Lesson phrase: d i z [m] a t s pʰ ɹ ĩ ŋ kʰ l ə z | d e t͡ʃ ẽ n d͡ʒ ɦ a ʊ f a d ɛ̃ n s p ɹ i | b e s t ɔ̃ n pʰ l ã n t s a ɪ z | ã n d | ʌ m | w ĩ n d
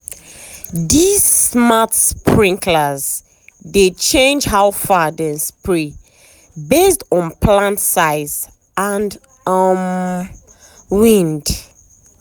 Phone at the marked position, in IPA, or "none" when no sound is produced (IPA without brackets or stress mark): m